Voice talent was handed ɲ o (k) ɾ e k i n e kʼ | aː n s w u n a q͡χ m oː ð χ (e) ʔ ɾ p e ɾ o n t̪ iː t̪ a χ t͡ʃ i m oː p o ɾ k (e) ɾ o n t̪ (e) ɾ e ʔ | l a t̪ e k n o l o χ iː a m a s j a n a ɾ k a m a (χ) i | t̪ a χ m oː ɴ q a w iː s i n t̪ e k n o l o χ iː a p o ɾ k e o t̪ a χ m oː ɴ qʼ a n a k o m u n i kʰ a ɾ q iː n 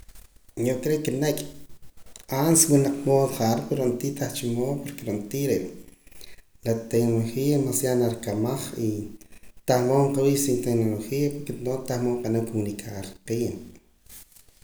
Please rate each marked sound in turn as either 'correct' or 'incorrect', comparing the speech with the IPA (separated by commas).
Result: correct, incorrect, correct, incorrect, correct